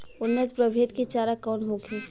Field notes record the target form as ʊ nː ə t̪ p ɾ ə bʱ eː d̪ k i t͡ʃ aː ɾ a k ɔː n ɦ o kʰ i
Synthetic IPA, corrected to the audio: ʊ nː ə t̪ p ɾ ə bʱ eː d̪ k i t͡ʃ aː ɾ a k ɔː n ɦ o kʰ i